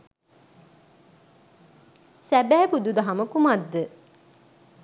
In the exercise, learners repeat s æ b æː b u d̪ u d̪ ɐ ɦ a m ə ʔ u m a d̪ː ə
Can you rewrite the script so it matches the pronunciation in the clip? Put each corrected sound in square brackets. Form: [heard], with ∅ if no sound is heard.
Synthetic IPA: s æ b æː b u d̪ u d̪ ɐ ɦ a m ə [k] u m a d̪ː ə